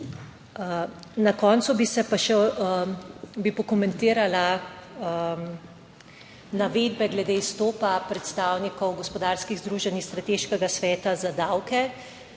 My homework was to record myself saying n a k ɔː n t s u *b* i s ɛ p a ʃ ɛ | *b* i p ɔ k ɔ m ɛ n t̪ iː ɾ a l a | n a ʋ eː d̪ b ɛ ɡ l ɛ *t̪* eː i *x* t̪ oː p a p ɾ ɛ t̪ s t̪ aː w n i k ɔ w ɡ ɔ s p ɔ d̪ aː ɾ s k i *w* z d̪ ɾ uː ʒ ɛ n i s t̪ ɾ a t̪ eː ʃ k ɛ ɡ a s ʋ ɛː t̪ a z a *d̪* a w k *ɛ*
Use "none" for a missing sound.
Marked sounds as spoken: b, b, d̪, s, ɣ, d̪, ɛ

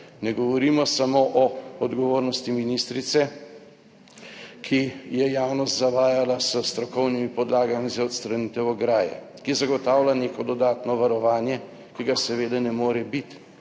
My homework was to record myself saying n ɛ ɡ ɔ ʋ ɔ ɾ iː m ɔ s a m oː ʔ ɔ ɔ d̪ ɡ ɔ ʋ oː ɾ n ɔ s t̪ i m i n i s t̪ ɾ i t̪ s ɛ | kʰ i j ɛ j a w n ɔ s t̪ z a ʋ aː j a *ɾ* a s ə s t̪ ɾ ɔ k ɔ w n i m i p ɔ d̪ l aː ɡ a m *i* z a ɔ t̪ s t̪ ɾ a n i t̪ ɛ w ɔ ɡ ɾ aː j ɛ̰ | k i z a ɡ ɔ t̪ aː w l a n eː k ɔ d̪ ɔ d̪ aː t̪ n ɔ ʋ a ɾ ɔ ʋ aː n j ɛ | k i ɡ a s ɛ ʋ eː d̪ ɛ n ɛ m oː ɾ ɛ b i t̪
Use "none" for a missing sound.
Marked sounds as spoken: l, i

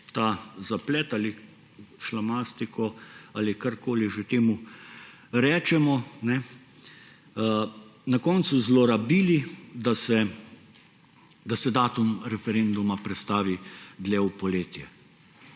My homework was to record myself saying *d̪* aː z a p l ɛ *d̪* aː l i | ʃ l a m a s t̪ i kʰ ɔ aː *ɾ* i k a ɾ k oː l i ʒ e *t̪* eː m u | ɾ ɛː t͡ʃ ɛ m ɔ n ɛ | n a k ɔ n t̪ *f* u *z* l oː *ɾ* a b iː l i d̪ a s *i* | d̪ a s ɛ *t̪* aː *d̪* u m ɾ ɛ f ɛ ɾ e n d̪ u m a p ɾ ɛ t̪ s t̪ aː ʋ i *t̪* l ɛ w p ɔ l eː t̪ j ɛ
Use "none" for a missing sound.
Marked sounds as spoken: t̪, t̪, l, t̪, s, z, ɾ, ɛ, d̪, t̪, d̪

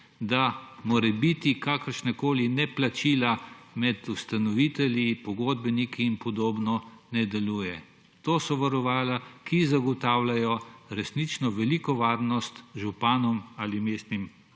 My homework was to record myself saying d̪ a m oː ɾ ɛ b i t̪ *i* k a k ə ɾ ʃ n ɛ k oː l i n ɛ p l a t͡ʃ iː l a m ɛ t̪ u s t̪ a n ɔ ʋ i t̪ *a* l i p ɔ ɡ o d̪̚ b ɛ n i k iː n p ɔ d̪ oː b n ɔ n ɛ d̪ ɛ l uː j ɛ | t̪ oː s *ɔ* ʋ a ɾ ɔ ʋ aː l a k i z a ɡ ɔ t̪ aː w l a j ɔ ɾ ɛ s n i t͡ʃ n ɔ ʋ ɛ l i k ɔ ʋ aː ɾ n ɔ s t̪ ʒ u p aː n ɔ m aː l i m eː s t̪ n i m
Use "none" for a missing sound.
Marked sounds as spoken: i, ɛ, ɔ

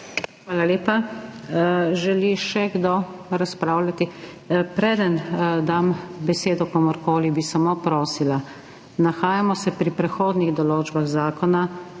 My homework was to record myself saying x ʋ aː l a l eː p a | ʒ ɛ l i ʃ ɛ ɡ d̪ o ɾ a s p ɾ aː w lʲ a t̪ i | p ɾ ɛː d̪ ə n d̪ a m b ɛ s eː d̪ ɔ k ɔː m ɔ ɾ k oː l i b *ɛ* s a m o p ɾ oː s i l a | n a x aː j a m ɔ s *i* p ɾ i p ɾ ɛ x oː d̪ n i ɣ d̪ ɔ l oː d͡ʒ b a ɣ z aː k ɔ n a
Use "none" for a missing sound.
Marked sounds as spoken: i, ɛ

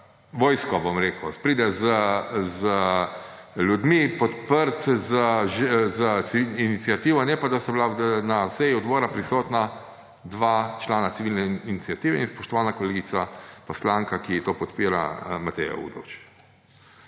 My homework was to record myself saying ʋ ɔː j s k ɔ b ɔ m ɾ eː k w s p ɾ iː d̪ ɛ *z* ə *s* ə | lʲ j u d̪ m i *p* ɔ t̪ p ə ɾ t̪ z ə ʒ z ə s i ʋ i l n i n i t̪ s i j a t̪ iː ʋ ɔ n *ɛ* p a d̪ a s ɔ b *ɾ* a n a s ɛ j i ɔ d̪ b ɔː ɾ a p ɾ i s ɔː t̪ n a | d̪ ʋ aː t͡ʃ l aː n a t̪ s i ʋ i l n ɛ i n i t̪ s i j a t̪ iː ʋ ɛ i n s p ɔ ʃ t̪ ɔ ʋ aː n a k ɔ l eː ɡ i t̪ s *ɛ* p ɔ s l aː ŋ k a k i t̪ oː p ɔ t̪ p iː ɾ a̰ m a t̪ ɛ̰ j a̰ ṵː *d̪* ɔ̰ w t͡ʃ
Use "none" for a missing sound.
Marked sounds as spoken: z, z, p, ɛ, l, a, d̪

